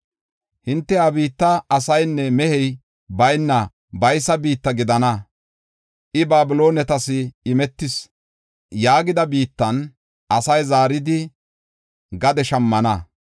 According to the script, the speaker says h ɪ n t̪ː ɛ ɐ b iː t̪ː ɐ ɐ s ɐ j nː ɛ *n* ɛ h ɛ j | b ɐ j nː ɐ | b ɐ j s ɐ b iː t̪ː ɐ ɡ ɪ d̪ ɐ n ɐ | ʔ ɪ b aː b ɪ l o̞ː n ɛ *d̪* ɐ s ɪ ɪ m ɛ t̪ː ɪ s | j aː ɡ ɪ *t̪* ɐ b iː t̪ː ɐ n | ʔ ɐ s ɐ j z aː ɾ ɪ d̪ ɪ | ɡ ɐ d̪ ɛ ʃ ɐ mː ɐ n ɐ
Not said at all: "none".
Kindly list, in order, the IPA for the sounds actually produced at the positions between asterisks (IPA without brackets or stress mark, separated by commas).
m, t̪, d̪